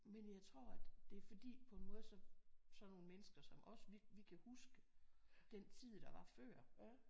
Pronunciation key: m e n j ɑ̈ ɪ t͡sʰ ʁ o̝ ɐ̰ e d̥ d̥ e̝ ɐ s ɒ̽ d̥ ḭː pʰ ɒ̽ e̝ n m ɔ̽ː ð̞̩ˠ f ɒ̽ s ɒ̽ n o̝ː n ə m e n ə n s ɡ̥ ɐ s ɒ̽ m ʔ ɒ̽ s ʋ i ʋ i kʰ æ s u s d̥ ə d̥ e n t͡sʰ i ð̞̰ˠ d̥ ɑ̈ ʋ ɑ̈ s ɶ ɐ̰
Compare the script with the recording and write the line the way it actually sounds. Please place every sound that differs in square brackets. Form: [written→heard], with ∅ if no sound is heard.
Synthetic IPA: m e n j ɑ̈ ɪ t͡sʰ ʁ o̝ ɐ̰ [e→æ] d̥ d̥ e̝ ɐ [s→f] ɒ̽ d̥ ḭː pʰ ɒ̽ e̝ n m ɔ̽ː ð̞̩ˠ [f→s] ɒ̽ s ɒ̽ n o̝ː n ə m e n ə [n→∅] s ɡ̥ ɐ s ɒ̽ m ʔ ɒ̽ s ʋ i ʋ i kʰ æ [s→h] u s [d̥→ɡ̥] ə d̥ e n t͡sʰ i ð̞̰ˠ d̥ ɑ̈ ʋ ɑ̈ [s→f] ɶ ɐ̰

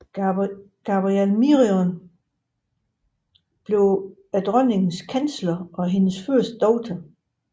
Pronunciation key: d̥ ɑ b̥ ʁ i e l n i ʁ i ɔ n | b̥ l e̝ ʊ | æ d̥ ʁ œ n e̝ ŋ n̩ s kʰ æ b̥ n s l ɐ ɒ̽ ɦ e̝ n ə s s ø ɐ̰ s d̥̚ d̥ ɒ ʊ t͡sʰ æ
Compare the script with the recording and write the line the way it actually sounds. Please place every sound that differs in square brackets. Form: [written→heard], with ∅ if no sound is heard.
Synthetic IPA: [d̥→ɡ̥] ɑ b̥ ʁ i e l [n→m] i ʁ i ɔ n | b̥ l e̝ ʊ | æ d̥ ʁ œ n e̝ ŋ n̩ s kʰ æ [b̥→∅] n s l ɐ ɒ̽ ɦ e̝ n ə s [s→f] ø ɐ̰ s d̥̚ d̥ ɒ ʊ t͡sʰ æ

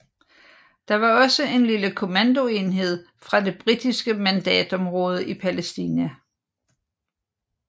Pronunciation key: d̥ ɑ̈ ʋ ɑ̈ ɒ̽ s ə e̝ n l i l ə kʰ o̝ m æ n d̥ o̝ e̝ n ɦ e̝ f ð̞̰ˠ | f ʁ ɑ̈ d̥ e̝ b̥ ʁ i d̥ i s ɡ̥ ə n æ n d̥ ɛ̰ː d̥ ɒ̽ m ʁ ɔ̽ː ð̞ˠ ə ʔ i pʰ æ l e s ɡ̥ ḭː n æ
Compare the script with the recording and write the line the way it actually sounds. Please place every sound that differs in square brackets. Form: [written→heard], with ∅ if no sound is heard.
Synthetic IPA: d̥ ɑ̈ ʋ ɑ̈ ɒ̽ s ə e̝ n l i l ə kʰ o̝ m æ n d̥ o̝ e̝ n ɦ e̝ [f→∅] ð̞̰ˠ | f ʁ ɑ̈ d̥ e̝ b̥ ʁ i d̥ i s ɡ̥ ə [n→m] æ n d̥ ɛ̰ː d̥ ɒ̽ m ʁ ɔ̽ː ð̞ˠ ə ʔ i pʰ æ l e s [ɡ̥→d̥] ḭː n æ

